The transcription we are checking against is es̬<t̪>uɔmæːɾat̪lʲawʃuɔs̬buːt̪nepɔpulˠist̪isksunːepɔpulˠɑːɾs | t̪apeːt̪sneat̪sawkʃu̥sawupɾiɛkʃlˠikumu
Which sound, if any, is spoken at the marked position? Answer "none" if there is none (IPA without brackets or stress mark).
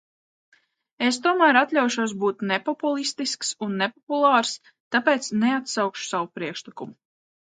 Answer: t̪